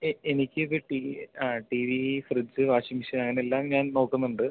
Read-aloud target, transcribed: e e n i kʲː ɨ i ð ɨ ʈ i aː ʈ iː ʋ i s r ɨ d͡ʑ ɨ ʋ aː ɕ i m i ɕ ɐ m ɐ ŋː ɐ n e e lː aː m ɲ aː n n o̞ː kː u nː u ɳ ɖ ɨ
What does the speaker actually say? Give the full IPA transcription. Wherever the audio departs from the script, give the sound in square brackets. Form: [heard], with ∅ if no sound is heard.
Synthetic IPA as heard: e e n i kʲː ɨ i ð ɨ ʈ i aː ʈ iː ʋ i [f] r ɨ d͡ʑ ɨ ʋ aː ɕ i m i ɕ ɐ [n] ɐ ŋː ɐ n e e lː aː m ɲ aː n n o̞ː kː u nː u ɳ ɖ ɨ

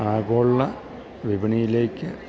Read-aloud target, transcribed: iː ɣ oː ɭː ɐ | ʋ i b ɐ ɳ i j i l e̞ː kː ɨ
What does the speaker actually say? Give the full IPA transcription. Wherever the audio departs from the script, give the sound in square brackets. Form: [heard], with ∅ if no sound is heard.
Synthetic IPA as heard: [aː] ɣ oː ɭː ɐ | ʋ i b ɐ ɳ i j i l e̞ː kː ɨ

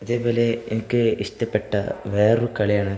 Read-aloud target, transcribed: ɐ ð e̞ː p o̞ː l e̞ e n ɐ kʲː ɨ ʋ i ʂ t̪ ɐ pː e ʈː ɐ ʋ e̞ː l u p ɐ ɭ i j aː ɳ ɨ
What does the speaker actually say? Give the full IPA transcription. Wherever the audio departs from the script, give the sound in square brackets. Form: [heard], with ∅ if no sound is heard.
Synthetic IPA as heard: ɐ ð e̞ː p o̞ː l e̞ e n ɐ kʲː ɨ [∅] i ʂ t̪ ɐ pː e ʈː ɐ ʋ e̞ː [r] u [k] ɐ ɭ i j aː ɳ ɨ

